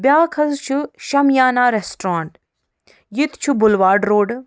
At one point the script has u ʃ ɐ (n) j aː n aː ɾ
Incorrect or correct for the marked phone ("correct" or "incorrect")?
incorrect